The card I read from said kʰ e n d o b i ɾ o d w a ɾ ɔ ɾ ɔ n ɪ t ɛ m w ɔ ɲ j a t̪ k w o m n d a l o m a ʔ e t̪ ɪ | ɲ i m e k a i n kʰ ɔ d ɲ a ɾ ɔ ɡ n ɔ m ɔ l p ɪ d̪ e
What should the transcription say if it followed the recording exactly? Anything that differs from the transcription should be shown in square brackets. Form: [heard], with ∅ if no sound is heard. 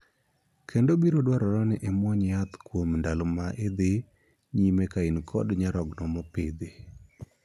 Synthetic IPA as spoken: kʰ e n d o b i ɾ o d w a ɾ ɔ ɾ ɔ n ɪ [ʔ] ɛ m w ɔ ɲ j a t̪ k w o m n d a l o m a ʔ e [d̪] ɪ | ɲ i m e k a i n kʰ ɔ d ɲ a ɾ ɔ ɡ n ɔ m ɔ [∅] p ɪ d̪ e